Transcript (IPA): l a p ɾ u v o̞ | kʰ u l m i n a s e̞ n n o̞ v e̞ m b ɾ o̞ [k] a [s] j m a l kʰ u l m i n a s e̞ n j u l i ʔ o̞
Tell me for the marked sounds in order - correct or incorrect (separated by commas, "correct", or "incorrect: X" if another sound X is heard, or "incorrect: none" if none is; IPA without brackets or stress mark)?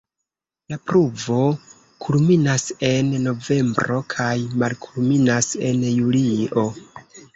incorrect: kʰ, incorrect: none